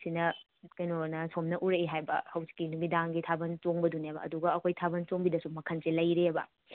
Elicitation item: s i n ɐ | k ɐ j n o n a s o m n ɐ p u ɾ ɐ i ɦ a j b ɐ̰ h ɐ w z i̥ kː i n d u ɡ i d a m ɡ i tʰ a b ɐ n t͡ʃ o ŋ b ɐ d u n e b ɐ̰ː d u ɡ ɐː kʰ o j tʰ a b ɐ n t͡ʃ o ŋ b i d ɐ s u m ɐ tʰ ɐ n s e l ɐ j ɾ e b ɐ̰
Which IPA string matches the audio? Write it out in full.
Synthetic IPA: s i n ɐ | k ɐ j n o n ɐ s o m n ɐ ʔ u ɾ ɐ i ɦ a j b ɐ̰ h ɐ w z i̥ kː i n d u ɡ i d a ŋ ɡ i tʰ a b ɐ n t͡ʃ o ŋ b ɐ d u n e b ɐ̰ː d u ɡ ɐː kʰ o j tʰ a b ɐ n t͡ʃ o ŋ b i d ɐ s u m ɐ kʰ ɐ n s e l ɐ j ɾ e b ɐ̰